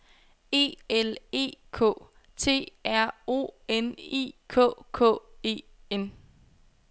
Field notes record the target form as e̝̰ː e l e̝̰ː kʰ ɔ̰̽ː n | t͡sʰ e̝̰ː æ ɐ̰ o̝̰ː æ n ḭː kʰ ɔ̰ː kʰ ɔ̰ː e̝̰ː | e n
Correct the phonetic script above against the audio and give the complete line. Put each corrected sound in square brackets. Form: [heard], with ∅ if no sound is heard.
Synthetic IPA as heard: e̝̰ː e l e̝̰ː kʰ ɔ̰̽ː [∅] | t͡sʰ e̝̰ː æ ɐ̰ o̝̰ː [e] n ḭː kʰ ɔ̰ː kʰ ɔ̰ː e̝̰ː | e n